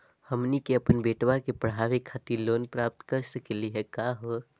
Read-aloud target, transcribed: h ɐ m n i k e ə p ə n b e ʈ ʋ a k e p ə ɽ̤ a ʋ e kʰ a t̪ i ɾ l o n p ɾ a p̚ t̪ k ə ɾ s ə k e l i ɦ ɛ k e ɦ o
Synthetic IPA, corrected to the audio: h ə m n i k e ə p ə n b e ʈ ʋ a k e p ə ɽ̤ a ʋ e kʰ a t̪ i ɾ l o n p ɾ a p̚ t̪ k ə ɾ s ə k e l i ɦ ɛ k a ɦ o